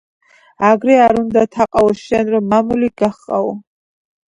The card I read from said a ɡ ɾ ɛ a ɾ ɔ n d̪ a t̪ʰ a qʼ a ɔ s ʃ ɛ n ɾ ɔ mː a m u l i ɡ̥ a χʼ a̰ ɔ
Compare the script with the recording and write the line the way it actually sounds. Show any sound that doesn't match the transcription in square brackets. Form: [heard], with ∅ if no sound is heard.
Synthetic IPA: a ɡ ɾ ɛ a ɾ [u] n d̪ a t̪ʰ a qʼ a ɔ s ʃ ɛ n ɾ ɔ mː a m u l i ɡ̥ a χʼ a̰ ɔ